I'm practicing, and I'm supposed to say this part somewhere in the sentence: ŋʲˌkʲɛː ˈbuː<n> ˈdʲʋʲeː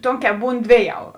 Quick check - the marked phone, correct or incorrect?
correct